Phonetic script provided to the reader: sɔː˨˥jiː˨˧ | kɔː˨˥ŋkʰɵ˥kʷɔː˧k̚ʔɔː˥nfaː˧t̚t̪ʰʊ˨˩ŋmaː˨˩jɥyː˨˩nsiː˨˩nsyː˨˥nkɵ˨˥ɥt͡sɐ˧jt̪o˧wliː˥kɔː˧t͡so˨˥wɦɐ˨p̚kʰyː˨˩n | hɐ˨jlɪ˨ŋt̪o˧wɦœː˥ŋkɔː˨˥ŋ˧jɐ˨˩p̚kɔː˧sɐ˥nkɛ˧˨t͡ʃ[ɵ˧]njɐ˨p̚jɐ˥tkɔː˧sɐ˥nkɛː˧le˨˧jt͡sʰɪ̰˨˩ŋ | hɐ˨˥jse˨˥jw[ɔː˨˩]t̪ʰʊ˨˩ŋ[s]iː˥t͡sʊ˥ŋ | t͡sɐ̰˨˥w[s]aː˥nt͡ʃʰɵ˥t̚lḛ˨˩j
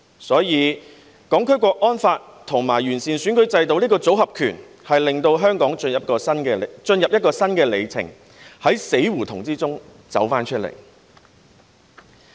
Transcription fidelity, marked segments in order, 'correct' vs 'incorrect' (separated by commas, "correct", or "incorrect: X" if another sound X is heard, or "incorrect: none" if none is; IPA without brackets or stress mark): correct, incorrect: uː˨˩, incorrect: t͡s, incorrect: f